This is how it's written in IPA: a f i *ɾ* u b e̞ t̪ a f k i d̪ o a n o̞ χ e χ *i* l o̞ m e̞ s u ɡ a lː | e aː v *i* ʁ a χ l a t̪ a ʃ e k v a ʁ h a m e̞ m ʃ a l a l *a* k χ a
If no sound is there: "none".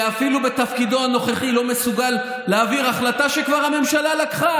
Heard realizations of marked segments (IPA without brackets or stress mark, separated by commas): l, i, i, a